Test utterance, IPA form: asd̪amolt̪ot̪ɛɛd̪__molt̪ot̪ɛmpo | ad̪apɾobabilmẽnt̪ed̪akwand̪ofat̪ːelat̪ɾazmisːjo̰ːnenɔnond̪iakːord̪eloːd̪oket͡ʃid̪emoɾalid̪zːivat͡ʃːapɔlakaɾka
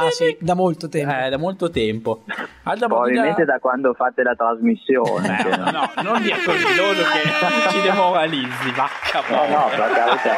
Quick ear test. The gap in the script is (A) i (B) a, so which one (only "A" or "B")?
B